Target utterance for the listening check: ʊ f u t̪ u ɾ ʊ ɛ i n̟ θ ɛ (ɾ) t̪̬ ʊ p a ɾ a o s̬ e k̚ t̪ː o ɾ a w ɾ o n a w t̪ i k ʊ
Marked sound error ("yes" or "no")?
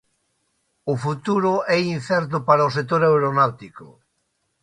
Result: no